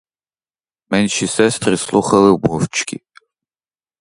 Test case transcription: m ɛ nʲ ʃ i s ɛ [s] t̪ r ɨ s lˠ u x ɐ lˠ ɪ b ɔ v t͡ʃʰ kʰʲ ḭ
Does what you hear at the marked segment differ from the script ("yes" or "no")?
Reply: no